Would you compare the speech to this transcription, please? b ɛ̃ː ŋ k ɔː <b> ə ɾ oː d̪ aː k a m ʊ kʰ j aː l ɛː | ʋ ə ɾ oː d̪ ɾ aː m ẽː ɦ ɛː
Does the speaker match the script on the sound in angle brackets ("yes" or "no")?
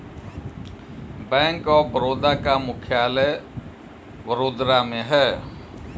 yes